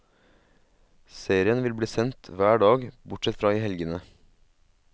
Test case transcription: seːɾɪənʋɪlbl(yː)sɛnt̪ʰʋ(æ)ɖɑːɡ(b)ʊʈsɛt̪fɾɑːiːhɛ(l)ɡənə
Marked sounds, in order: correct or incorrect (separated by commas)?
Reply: incorrect, incorrect, correct, correct